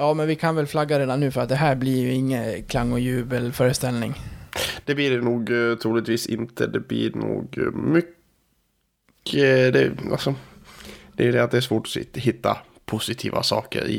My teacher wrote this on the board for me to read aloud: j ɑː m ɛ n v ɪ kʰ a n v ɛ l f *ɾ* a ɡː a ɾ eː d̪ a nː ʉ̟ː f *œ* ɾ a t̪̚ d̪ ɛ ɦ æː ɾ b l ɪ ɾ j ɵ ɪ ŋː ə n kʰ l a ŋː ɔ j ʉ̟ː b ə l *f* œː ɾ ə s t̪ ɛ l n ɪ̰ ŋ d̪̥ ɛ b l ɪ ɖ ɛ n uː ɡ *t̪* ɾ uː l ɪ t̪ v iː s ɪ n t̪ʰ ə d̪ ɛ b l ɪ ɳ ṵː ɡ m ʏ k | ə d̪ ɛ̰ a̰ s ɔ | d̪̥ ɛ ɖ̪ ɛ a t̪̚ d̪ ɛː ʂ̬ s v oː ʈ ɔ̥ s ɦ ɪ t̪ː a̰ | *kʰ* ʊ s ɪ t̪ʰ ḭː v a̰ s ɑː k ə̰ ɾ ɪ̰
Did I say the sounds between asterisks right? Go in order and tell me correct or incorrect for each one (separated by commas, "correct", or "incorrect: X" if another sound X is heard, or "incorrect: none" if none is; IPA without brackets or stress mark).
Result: incorrect: l, correct, correct, incorrect: t̪ʰ, incorrect: pʰ